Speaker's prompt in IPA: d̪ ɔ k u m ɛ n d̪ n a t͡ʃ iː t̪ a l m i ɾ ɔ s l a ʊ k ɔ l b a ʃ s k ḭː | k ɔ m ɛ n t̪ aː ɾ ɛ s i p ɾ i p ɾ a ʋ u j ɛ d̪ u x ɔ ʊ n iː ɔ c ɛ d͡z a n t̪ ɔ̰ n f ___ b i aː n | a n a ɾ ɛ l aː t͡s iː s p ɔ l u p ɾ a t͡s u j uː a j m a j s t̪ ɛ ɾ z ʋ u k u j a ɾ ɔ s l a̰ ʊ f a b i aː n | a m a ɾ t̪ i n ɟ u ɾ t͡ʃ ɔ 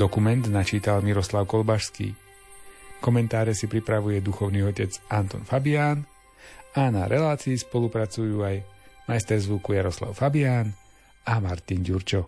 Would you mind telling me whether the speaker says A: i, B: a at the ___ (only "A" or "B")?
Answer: B